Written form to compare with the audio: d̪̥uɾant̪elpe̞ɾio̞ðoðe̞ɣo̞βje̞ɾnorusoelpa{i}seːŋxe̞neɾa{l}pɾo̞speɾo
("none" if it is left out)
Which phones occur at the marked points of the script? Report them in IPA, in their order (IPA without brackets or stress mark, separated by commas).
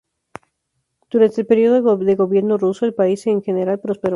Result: i, l